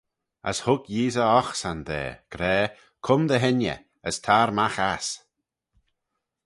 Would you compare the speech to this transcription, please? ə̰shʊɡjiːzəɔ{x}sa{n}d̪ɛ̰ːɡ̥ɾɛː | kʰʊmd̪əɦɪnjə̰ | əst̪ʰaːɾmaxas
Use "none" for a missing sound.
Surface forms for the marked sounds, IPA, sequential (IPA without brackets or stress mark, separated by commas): x, n